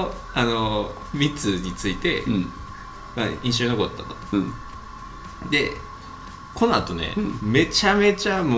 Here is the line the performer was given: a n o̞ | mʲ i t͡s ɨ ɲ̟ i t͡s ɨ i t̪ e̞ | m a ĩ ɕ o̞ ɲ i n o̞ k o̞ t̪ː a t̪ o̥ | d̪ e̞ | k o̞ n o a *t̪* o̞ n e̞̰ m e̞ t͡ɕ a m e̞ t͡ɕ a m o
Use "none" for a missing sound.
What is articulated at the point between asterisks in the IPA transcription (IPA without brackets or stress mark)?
t̪